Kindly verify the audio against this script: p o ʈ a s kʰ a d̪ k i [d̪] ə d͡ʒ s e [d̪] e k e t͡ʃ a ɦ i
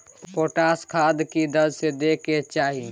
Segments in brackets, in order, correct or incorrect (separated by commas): correct, correct